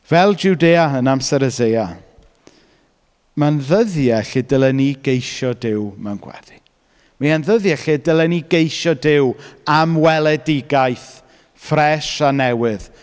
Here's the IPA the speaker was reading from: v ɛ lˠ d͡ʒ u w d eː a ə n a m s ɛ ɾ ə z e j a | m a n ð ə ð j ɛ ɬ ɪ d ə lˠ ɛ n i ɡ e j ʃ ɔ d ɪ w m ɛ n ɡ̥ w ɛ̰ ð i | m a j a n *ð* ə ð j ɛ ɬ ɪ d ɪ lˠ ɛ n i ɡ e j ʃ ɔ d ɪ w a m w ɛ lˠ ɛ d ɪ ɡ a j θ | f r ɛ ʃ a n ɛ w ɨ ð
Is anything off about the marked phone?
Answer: no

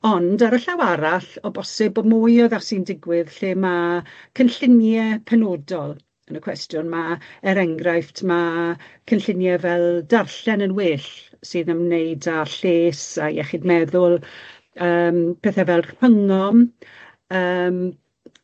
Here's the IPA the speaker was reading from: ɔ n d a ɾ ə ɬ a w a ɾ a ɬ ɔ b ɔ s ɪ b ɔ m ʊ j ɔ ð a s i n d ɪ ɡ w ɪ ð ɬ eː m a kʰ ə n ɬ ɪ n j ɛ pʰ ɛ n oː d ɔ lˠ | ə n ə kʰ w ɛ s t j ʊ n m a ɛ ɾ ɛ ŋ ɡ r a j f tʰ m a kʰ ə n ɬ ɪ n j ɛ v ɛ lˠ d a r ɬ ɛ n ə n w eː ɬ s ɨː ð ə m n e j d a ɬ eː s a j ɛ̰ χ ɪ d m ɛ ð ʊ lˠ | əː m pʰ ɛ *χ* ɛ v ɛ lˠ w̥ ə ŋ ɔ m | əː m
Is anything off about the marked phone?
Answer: yes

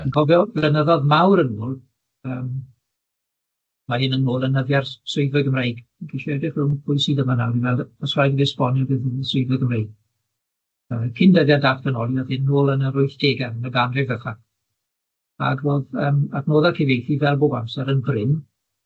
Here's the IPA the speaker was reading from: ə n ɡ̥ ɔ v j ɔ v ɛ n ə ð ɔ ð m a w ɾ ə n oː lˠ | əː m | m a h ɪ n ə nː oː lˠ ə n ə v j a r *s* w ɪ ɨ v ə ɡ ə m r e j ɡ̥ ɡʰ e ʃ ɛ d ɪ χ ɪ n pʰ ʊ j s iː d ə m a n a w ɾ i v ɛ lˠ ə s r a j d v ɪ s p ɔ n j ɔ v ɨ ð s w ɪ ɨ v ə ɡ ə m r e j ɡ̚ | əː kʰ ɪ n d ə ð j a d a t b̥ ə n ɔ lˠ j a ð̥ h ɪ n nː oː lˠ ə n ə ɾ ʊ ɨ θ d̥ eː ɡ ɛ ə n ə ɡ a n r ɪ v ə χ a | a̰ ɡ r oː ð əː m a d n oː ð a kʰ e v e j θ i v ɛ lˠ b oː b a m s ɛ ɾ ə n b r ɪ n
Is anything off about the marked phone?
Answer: no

